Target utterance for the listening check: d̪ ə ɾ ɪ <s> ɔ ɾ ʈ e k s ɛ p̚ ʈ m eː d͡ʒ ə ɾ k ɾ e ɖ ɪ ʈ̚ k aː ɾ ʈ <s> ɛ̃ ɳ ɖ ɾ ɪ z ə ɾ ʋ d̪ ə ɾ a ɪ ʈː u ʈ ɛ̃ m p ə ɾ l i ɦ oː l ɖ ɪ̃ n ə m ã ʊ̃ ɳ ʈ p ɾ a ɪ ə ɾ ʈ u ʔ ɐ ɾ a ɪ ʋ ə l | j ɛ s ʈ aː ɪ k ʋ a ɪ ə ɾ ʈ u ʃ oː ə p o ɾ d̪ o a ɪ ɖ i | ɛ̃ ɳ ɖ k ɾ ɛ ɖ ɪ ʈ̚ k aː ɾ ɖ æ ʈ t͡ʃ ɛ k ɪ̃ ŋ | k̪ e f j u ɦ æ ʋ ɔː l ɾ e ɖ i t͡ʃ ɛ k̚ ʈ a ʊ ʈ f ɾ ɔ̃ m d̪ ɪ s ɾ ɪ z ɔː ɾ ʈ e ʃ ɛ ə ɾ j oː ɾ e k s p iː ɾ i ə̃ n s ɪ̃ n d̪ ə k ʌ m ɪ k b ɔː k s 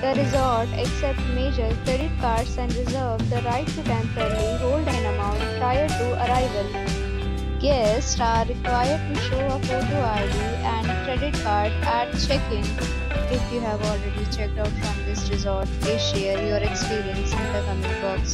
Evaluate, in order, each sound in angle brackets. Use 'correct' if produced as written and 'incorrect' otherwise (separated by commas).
incorrect, correct